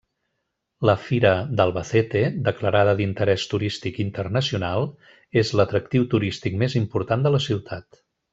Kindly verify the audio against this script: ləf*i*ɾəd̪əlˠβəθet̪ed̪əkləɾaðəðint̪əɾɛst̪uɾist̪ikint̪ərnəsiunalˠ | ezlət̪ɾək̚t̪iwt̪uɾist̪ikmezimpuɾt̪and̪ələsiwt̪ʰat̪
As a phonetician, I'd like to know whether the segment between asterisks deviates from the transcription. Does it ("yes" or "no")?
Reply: no